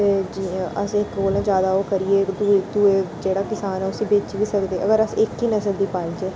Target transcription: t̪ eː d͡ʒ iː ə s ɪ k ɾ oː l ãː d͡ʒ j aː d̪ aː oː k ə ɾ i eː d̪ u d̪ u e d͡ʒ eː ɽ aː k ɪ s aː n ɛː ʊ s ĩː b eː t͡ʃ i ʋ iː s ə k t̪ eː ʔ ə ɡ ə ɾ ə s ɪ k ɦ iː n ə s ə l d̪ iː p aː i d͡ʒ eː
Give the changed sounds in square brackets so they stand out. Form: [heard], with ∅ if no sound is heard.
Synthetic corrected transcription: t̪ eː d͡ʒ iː ə s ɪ k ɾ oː l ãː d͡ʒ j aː d̪ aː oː k ə ɾ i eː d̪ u d̪ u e d͡ʒ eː ɽ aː k ɪ s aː n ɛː ʊ s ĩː b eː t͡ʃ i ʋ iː s ə k [d̪] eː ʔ ə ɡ ə ɾ ə s ɪ k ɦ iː n ə s ə l d̪ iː p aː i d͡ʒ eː